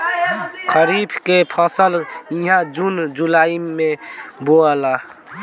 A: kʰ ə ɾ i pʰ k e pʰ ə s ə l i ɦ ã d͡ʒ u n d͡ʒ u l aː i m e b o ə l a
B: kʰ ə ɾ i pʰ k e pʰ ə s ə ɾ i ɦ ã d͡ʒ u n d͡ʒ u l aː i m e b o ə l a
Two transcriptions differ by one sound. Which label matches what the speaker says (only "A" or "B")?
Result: A